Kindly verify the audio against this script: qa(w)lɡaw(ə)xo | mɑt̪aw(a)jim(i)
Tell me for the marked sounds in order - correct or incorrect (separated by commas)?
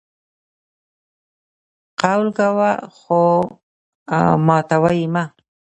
correct, incorrect, correct, incorrect